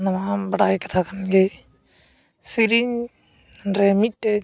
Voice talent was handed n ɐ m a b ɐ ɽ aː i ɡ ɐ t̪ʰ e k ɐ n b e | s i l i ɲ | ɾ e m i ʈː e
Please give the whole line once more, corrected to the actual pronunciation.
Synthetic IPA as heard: n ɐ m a b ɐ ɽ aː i k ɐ t̪ʰ a k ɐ n ɡ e | s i ɾ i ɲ | ɾ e m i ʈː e